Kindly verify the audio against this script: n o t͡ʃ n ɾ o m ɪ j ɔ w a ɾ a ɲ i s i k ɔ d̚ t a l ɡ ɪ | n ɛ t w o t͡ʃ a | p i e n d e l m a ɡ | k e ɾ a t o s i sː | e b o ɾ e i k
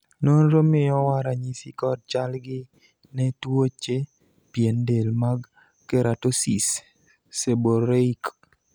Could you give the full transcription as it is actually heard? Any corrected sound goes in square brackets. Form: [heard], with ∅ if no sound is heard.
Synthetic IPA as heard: n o [∅] n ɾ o m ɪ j ɔ w a ɾ a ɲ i s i k ɔ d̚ [t͡ʃ] a l ɡ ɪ | n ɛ t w o t͡ʃ [e] | p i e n d e l m a ɡ | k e ɾ a t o s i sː | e b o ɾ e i k

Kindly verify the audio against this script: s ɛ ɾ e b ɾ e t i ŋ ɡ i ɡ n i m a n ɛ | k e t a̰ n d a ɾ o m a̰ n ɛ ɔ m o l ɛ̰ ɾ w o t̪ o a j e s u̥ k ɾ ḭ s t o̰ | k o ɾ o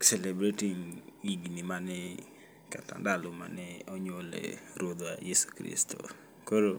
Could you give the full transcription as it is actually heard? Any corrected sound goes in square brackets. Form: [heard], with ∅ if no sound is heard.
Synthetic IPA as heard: s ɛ [l] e b ɾ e t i ŋ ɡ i ɡ n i m a n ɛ | k [a] t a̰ n d a [l] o m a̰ n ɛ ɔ [ɲ] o l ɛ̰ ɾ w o [d̪] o a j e s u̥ k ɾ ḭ s t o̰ | k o ɾ o

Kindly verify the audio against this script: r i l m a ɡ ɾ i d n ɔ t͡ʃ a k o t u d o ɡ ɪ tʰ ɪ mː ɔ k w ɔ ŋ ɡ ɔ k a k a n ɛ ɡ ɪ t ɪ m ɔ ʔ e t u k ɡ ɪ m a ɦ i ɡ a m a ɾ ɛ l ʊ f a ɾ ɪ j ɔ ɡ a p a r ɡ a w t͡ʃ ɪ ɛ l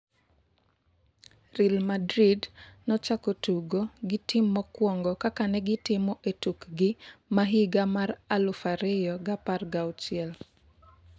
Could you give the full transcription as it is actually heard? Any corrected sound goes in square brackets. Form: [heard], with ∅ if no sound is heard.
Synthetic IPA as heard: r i l m a [d] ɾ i d n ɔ t͡ʃ a k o t u [ɡ] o ɡ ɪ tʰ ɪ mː ɔ k w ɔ ŋ ɡ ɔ k a k a n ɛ ɡ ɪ t ɪ m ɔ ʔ e t u k ɡ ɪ m a ɦ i ɡ a m a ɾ [a] l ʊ f a ɾ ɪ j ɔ ɡ a p a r ɡ a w t͡ʃ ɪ ɛ l

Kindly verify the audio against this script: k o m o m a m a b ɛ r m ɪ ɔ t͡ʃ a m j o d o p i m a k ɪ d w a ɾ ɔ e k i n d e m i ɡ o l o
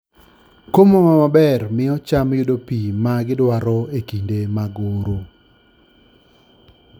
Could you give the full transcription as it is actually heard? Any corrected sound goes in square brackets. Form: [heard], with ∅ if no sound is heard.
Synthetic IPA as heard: k o m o m a m a b ɛ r m ɪ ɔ t͡ʃ a m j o d o p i m a [ɡ] ɪ d w a ɾ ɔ e k i n d e m [a] ɡ o [ɾ] o

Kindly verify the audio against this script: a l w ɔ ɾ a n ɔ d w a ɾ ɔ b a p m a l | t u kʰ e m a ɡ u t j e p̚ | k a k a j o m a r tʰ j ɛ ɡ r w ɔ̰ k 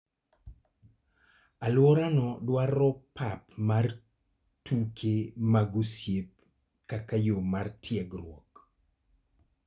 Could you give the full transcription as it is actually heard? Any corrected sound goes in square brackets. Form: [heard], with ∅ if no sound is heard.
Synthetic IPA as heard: a l w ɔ ɾ a n ɔ d w a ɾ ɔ [p] a p m a [r] | t u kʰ e m a ɡ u [s] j e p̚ | k a k a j o m a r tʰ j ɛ ɡ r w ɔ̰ k

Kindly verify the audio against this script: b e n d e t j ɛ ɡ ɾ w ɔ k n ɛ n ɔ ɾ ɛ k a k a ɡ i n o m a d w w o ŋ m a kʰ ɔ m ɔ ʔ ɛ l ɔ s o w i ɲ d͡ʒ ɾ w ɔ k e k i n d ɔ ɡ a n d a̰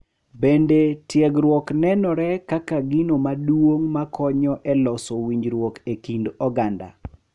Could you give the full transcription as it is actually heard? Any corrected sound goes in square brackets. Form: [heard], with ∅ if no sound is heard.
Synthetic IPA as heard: b e n d e t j ɛ ɡ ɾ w ɔ k n ɛ n ɔ ɾ ɛ k a k a ɡ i n o m a d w w o ŋ m a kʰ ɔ [ɲ] ɔ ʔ ɛ l ɔ s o w i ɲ d͡ʒ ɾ w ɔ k e k i n d ɔ ɡ a n d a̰

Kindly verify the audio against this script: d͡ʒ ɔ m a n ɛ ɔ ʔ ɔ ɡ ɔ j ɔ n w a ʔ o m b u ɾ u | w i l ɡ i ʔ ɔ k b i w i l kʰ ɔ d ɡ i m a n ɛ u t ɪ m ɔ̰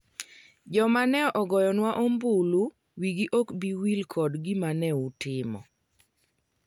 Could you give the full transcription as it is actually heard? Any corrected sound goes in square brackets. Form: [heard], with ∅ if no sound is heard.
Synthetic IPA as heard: d͡ʒ ɔ m a n ɛ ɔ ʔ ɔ ɡ ɔ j ɔ n w a ʔ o m b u [l] u | w i [∅] ɡ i ʔ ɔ k b i w i l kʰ ɔ d ɡ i m a n ɛ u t ɪ m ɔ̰

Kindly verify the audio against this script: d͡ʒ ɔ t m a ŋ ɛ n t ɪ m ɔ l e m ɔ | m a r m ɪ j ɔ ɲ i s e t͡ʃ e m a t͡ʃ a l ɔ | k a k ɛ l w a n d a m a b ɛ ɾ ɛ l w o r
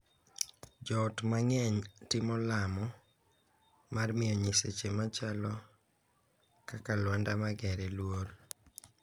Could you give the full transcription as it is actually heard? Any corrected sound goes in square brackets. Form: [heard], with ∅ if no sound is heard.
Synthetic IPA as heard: d͡ʒ ɔ t m a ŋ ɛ [ɲ] t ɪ m ɔ l [a] m ɔ | m a r m ɪ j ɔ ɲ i s e t͡ʃ e m a t͡ʃ a l ɔ | k a k [a] l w a n d a m a [ɡ] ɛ ɾ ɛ l w o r

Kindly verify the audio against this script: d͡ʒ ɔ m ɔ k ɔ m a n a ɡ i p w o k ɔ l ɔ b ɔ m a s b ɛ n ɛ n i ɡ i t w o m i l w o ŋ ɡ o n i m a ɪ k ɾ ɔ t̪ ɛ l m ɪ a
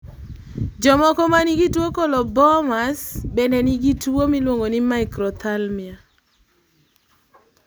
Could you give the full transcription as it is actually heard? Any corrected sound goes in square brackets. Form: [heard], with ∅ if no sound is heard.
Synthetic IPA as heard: d͡ʒ ɔ m ɔ k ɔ m a n [i] ɡ i [t] w o k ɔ l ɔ b ɔ m a s b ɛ n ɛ n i ɡ i t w o m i l w o ŋ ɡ o n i m a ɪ k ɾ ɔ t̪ [a] l m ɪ a

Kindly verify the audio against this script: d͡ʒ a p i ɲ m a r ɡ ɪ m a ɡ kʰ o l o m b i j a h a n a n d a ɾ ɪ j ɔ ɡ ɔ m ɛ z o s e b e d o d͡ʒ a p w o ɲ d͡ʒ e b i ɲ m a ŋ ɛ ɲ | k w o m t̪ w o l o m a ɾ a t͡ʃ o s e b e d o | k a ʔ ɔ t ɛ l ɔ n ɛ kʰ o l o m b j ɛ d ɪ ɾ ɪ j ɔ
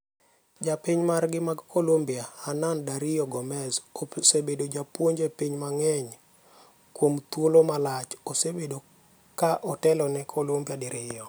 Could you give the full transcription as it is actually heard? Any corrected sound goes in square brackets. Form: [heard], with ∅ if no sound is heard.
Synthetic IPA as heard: d͡ʒ a p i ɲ m a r ɡ ɪ m a ɡ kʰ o l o m b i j a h a n a n d a ɾ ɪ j ɔ ɡ ɔ m ɛ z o s e b e d o d͡ʒ a p w o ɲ d͡ʒ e [p] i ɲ m a ŋ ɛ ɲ | k w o m t̪ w o l o m a [l] a t͡ʃ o s e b e d o | k a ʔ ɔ t ɛ l ɔ n ɛ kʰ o l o m b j [a] d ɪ ɾ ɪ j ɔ

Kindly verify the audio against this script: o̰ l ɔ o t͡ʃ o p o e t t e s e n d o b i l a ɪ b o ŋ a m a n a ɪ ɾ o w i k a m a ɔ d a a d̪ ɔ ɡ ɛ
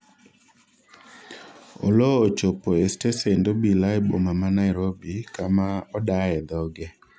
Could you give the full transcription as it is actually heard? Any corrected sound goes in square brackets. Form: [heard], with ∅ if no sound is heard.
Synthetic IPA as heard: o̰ l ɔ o t͡ʃ o p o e [s] t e s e n d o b i l a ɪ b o [m] a m a n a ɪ ɾ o [b] i k a m a ɔ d a [ɛ] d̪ ɔ ɡ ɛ

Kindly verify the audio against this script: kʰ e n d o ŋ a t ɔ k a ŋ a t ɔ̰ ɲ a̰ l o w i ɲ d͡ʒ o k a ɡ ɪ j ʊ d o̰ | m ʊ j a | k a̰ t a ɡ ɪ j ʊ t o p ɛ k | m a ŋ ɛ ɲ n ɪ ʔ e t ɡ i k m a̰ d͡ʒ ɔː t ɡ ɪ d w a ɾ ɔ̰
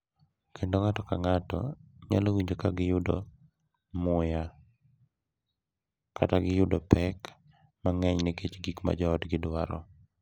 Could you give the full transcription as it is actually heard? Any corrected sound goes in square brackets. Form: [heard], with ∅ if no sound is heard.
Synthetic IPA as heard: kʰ e n d o ŋ a t ɔ k a ŋ a t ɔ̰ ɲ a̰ l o w i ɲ d͡ʒ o k a ɡ ɪ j ʊ d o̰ | m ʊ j a | k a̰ t a ɡ ɪ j ʊ [d] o p ɛ k | m a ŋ ɛ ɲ n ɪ [k] e [t͡ʃ] ɡ i k m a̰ d͡ʒ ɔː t ɡ ɪ d w a ɾ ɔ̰

